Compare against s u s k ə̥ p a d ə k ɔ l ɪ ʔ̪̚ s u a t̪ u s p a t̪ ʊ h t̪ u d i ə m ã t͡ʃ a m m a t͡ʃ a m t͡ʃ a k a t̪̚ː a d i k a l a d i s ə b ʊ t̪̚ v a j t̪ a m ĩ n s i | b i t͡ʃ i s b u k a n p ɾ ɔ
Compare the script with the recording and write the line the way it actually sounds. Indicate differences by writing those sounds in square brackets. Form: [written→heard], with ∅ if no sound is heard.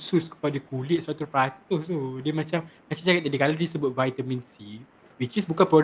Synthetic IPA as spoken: s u s k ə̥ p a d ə k [ɔ→u] l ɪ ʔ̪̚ s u a t̪ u [s→∅] p a t̪ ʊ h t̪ u d i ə m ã t͡ʃ a m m a t͡ʃ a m t͡ʃ a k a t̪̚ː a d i k a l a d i s ə b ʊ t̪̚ v a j t̪ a m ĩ n s i | [b→w] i t͡ʃ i s b u k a n p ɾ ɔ